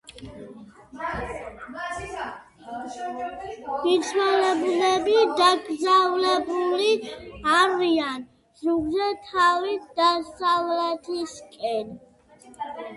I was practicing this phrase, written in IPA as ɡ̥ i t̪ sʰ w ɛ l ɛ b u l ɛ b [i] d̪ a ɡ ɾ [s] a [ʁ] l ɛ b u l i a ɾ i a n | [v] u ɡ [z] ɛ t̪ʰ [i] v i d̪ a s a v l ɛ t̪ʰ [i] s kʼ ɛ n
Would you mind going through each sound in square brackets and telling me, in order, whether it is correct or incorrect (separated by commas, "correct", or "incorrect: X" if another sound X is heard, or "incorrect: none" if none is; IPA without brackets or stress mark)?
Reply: correct, incorrect: z, incorrect: v, incorrect: z, correct, incorrect: a, correct